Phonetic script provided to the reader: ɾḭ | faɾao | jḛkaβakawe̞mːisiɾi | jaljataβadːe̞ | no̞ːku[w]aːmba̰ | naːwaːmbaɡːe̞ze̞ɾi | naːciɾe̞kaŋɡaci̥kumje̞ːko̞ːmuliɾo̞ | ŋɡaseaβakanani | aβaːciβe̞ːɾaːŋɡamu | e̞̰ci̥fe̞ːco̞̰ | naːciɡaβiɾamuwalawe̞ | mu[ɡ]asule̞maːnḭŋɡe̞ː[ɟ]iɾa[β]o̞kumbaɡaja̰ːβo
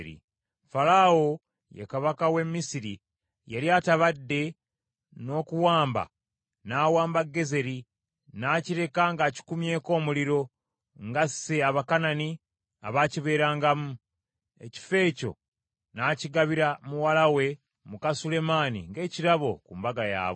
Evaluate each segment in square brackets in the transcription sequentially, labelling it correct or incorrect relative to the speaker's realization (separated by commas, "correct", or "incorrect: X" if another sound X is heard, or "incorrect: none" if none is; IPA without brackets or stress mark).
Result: correct, incorrect: k, incorrect: c, correct